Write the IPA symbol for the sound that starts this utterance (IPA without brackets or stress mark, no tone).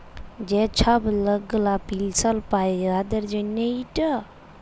d͡ʒ